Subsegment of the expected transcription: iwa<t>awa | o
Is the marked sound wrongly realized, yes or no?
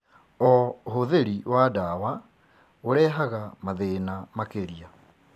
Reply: yes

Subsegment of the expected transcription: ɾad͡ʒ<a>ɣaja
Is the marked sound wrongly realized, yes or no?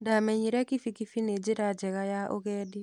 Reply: yes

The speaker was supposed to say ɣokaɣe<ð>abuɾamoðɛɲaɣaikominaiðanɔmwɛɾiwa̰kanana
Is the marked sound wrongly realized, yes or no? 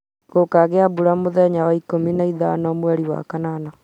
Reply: yes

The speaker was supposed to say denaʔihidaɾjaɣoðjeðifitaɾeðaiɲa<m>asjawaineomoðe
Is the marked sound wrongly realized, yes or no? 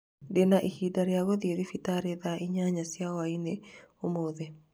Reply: yes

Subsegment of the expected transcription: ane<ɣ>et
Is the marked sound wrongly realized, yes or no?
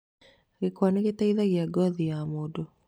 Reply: no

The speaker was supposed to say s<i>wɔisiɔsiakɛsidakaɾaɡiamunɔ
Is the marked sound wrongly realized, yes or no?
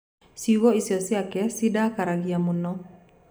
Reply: no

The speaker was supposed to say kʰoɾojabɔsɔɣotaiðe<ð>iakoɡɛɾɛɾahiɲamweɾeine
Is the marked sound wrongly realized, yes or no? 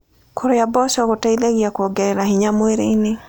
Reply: yes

